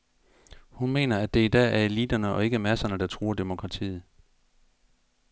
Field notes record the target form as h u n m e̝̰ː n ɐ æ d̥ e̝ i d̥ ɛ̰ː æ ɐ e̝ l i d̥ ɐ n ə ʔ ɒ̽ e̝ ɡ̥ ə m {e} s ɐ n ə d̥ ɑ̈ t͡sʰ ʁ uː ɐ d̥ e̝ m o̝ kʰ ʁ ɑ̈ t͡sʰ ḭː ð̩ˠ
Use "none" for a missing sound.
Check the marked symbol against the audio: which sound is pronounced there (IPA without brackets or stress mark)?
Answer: æ